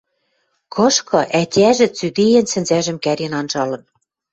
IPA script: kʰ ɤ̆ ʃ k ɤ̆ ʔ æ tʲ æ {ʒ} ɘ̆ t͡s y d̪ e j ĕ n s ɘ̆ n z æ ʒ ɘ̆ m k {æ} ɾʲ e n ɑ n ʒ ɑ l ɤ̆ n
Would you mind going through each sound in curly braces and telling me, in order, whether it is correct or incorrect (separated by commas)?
correct, correct